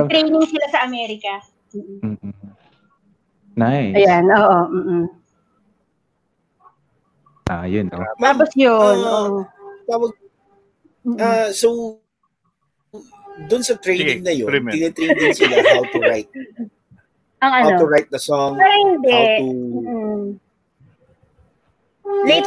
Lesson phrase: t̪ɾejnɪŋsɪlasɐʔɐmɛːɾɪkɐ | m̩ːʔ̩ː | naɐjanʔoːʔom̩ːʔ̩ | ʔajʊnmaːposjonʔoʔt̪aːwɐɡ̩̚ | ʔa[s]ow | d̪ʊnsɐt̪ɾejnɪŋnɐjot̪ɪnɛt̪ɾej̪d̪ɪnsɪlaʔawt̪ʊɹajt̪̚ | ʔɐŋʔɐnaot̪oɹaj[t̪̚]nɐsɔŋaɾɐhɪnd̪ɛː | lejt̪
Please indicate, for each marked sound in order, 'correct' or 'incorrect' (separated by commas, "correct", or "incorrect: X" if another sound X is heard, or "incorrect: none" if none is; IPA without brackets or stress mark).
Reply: correct, correct